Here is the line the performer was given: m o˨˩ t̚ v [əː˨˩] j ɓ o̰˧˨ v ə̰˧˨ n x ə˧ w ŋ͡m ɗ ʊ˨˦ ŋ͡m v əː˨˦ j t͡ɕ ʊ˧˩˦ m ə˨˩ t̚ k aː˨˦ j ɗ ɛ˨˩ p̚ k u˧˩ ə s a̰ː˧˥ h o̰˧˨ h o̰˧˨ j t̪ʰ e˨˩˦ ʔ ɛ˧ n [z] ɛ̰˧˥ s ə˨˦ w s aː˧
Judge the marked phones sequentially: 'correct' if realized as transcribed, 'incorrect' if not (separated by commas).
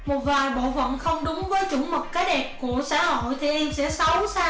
incorrect, incorrect